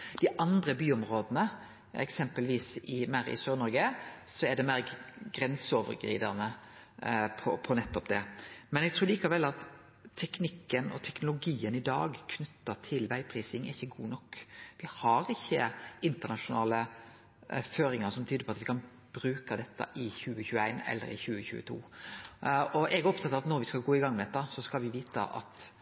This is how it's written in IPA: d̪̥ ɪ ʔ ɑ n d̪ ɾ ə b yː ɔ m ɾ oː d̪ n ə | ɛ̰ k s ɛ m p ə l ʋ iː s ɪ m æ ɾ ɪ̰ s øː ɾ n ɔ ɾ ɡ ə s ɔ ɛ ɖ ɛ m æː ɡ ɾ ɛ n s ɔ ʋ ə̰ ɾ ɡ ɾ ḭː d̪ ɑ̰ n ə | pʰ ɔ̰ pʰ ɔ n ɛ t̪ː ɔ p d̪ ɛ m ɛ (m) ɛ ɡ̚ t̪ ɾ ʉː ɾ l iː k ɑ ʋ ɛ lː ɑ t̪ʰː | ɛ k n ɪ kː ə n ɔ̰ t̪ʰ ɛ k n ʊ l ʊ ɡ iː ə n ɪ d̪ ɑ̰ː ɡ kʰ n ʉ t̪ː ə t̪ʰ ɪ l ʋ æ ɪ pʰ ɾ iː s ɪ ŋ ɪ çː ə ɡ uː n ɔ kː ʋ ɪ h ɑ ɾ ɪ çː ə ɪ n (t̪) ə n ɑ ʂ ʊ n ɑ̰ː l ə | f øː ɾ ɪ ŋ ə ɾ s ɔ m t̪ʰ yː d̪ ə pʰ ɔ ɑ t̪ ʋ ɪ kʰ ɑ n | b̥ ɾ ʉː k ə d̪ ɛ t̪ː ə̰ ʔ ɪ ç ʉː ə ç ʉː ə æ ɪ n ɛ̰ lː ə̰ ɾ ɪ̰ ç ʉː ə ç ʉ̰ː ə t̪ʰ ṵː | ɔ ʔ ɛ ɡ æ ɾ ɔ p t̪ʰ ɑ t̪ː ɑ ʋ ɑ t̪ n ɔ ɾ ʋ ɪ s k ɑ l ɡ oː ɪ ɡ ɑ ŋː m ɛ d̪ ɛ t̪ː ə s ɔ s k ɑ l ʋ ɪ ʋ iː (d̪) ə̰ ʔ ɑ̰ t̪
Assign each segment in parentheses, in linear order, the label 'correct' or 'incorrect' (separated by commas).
incorrect, correct, incorrect